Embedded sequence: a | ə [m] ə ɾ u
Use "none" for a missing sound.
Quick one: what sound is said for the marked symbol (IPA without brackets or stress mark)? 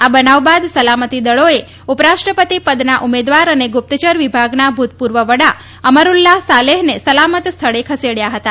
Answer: m